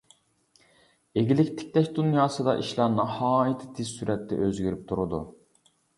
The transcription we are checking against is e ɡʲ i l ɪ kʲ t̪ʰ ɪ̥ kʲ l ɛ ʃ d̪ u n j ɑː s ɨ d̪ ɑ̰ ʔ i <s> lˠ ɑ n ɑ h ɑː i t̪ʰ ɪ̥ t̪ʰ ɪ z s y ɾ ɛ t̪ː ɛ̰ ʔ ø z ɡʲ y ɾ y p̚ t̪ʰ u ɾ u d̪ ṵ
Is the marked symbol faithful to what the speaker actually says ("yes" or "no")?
no